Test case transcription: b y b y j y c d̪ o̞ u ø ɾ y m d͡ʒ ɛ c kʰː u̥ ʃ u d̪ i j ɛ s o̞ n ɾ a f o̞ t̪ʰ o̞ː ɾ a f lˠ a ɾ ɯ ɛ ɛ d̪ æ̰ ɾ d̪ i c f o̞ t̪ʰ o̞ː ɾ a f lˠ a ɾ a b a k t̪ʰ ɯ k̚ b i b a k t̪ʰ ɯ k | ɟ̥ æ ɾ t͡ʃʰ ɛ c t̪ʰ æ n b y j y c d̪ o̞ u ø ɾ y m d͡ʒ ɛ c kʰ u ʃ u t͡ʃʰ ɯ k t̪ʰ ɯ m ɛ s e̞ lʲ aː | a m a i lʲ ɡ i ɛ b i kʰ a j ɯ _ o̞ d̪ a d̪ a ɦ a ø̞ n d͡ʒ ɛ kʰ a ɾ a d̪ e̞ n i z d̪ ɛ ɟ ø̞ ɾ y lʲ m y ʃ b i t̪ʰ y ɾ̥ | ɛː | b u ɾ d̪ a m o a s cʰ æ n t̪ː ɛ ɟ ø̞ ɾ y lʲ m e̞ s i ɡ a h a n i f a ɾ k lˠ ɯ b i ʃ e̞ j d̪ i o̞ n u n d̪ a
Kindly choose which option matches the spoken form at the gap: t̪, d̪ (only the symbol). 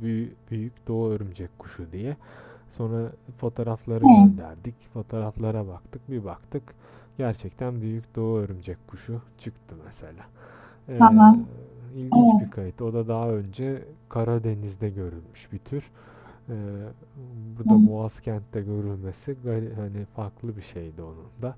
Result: t̪